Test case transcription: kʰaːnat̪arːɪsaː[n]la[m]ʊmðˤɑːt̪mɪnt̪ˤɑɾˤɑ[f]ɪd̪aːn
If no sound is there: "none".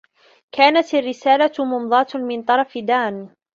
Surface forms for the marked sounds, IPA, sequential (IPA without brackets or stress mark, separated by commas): none, m, f